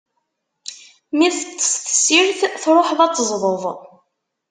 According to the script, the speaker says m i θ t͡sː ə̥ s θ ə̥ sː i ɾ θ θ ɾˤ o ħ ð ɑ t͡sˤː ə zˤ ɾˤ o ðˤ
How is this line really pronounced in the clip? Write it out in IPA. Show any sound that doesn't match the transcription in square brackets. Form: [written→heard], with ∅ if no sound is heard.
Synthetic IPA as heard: m i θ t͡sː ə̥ s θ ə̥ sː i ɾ θ θ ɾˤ o ħ ð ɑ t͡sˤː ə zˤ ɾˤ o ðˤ